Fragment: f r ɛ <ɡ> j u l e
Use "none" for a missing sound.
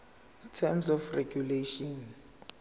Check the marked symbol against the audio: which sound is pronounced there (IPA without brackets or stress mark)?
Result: ɡ